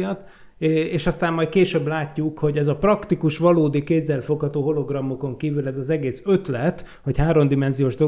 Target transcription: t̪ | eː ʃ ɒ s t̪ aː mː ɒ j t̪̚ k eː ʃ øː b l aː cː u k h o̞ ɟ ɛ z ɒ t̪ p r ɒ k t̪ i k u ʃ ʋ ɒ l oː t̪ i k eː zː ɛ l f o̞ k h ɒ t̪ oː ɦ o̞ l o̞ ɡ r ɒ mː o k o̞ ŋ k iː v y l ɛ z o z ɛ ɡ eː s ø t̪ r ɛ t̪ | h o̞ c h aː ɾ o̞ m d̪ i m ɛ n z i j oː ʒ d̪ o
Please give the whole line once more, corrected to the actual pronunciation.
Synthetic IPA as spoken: t̪ | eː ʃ ɒ s t̪ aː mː ɒ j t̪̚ k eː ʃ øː b l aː cː u k h o̞ ɟ ɛ z ɒ p r ɒ k t̪ i k u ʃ ʋ ɒ l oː d̪ i k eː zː ɛ l f o̞ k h ɒ t̪ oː ɦ o̞ l o̞ ɡ r ɒ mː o k o̞ ŋ k iː v y l ɛ z ɒ z ɛ ɡ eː s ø t̪ l ɛ t̪ | h o̞ c h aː ɾ o̞ m d̪ i m ɛ n z i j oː ʒ d̪ o